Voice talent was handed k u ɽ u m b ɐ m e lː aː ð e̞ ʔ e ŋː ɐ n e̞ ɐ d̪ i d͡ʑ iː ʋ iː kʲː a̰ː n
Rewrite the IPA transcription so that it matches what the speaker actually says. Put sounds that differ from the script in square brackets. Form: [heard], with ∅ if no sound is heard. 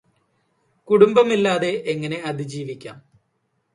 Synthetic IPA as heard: k u ɽ u m b ɐ m [i] lː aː ð e̞ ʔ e ŋː ɐ n e̞ ɐ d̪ i d͡ʑ iː ʋ [i] kʲː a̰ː [m]